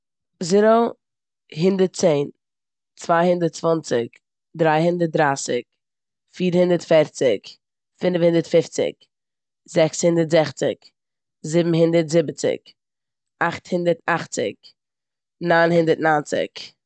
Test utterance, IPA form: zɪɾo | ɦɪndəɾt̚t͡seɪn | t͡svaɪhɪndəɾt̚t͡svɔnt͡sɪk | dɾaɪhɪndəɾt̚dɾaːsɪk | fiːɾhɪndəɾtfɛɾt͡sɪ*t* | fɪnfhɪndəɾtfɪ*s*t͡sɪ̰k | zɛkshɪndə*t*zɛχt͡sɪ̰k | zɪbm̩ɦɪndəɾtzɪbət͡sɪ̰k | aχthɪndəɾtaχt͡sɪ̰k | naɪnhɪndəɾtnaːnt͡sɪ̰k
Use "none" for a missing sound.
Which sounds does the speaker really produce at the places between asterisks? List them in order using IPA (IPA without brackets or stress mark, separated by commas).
k, f, t